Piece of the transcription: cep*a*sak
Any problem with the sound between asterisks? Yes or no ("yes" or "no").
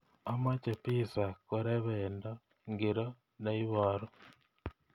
yes